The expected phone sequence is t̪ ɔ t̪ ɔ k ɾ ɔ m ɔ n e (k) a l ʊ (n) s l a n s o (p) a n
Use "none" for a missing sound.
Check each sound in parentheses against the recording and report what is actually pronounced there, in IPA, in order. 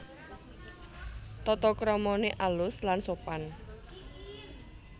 ʔ, none, p

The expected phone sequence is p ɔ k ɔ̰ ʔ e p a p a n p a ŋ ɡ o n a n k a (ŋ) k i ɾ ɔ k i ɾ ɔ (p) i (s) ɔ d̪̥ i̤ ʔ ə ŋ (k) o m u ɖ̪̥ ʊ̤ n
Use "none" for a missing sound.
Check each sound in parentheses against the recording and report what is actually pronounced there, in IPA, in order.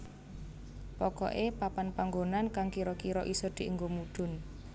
ŋ, ʔ, s, ɡ

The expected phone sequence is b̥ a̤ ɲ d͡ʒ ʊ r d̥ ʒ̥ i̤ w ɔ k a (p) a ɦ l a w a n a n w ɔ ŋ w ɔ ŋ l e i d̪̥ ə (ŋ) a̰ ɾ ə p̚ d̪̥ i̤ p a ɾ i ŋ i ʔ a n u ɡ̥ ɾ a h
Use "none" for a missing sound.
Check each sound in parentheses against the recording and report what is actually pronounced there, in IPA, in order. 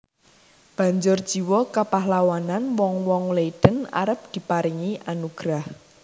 p, n

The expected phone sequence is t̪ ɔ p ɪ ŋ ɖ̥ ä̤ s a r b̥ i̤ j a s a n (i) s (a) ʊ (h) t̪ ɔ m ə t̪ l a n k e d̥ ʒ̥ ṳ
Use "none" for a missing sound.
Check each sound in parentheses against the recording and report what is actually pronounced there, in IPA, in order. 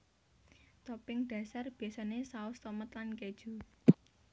e, a, s

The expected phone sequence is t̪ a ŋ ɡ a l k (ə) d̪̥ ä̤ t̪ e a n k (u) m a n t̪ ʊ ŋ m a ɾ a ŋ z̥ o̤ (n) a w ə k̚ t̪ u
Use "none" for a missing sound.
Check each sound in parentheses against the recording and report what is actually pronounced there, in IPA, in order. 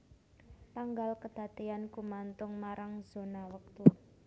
ə, u, n

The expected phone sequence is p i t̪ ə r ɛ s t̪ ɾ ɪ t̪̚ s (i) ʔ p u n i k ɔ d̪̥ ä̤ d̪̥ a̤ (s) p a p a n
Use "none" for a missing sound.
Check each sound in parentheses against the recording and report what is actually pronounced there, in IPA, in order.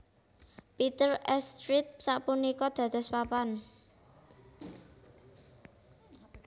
a, s

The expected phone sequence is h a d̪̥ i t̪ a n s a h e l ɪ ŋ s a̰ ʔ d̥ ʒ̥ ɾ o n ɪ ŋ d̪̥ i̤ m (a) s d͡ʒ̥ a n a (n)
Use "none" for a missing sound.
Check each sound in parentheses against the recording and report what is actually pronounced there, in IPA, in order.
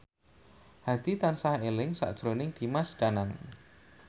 a, ŋ

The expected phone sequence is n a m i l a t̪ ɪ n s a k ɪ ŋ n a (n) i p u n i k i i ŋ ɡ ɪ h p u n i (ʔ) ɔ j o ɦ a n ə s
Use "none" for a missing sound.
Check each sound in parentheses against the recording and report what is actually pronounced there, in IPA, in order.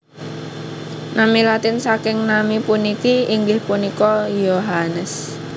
m, k

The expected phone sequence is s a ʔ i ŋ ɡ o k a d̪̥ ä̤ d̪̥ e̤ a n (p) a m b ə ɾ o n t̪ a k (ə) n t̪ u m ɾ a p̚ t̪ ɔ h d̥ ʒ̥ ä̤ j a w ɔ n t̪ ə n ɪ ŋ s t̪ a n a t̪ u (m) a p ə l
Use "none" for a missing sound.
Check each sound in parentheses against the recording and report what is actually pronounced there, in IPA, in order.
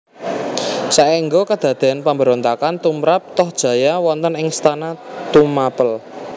p, a, m

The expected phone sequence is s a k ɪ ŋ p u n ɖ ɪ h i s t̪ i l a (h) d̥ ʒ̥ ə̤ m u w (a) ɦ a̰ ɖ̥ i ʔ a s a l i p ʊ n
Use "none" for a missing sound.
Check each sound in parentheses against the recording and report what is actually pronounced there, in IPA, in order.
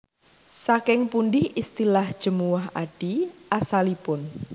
h, a

